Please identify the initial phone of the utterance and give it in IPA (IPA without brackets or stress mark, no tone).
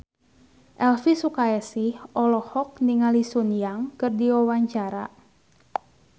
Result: ʔ